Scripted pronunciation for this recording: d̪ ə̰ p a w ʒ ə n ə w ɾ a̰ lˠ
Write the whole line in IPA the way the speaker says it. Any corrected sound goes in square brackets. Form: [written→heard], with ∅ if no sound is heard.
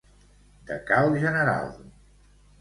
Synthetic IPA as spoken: d̪ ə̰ [p→k] a w ʒ ə n ə [w→∅] ɾ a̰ lˠ